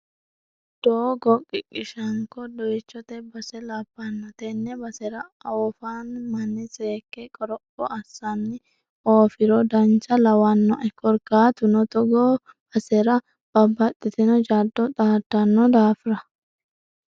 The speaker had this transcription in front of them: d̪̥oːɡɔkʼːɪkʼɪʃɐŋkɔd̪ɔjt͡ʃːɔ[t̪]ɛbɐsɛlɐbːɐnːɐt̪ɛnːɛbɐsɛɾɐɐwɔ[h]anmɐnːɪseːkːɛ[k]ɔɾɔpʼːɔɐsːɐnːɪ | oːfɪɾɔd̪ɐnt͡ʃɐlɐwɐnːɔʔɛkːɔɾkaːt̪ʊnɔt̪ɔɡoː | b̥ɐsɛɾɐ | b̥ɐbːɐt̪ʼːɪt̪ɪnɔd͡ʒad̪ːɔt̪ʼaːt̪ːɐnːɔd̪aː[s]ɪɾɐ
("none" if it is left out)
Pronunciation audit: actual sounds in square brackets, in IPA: t̪, f, kʼ, f

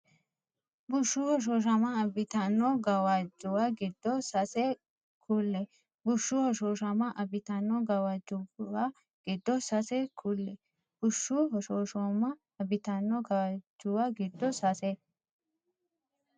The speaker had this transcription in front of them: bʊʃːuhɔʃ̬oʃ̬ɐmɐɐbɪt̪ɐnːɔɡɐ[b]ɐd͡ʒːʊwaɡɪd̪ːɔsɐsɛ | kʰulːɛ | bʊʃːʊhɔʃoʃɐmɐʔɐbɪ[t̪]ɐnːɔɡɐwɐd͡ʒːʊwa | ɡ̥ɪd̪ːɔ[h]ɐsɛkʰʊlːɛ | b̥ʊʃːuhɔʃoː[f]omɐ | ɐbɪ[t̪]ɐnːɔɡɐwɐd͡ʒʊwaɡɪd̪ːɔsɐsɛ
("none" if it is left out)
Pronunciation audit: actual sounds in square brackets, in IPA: w, t̪, s, ʃ, t̪

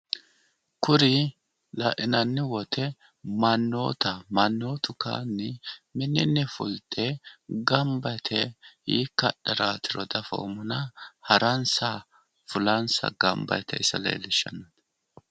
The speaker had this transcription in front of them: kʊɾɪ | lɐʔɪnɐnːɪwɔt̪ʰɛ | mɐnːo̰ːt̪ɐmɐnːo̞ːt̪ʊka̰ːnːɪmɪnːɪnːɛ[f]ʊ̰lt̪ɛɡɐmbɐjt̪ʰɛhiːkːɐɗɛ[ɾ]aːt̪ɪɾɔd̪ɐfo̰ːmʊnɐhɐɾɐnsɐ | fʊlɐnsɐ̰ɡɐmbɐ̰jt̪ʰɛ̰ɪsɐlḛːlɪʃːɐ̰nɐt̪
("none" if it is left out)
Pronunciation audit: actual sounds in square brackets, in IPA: f, ɾ

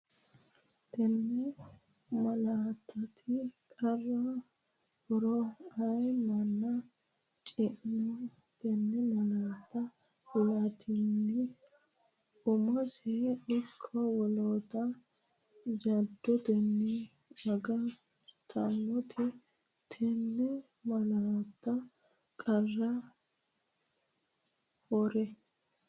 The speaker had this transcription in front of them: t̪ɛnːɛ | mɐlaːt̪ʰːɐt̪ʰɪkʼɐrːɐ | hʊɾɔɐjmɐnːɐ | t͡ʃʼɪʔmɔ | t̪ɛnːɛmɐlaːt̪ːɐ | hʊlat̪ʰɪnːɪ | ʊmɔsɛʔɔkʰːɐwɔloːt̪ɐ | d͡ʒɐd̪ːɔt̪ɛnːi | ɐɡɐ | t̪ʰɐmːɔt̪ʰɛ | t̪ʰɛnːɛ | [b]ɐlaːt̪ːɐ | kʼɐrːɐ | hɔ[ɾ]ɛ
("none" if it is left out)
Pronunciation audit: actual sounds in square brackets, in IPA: m, ɾ

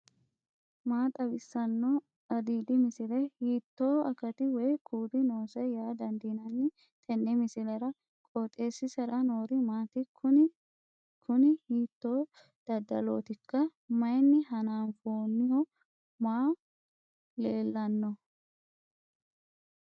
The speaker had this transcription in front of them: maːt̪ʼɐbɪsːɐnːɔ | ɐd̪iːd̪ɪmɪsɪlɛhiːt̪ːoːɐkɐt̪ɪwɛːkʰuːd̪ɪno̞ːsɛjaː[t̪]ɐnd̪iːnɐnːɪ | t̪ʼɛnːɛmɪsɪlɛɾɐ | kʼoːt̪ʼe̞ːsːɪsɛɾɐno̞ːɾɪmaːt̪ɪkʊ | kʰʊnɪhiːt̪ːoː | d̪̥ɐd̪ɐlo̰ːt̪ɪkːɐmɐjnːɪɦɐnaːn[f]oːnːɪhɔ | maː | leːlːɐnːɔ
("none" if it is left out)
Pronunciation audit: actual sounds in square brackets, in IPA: d̪, f

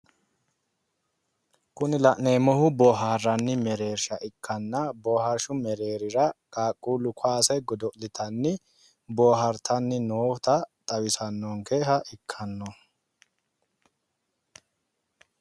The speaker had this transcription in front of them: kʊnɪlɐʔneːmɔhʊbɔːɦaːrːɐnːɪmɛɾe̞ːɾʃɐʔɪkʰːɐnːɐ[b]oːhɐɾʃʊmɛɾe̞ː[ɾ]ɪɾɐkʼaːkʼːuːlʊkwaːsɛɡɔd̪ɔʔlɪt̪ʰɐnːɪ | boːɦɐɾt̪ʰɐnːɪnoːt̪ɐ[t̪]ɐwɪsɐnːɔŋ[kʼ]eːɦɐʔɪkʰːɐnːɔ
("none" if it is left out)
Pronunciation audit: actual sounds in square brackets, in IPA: b, ɾ, t̪ʼ, k

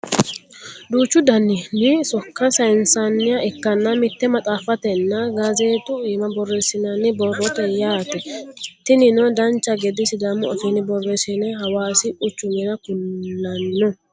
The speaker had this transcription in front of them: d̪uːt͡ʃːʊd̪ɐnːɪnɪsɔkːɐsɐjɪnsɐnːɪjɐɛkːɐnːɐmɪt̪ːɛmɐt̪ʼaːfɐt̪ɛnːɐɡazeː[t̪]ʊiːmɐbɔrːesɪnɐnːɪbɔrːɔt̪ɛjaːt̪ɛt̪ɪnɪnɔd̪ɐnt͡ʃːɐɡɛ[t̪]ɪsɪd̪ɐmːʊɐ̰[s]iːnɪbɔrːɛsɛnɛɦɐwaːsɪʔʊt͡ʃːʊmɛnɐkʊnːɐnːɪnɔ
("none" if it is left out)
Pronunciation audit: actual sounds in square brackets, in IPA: t̪, d̪, f

